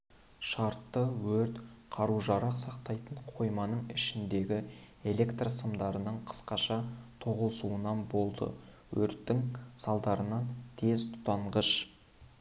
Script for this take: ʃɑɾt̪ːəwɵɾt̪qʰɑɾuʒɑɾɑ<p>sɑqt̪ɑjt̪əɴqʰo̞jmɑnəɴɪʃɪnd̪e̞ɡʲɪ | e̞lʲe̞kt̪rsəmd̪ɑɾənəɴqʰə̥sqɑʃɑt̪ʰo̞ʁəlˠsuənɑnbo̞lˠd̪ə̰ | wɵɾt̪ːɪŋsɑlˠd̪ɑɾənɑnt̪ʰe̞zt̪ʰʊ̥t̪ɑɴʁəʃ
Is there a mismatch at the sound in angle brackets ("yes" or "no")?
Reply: yes